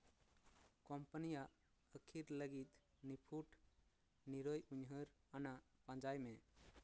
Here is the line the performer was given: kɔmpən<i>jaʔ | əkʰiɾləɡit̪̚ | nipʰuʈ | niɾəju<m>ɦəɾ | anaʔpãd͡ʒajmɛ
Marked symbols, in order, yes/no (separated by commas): yes, no